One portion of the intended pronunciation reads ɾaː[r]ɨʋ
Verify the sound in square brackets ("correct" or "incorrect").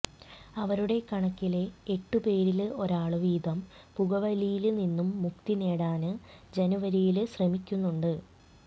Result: incorrect